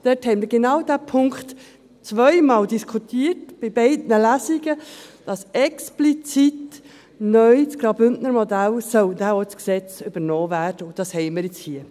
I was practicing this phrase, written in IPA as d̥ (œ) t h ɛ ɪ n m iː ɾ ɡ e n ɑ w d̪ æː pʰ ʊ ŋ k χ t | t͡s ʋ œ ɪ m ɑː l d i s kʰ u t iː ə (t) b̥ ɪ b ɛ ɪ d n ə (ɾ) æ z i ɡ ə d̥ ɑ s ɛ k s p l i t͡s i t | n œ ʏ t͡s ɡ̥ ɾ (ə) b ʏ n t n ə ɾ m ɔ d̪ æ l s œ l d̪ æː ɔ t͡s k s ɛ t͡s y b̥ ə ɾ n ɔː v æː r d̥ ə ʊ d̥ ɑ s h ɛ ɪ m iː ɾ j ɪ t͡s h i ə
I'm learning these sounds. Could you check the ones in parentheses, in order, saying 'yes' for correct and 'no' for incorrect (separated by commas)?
no, yes, no, no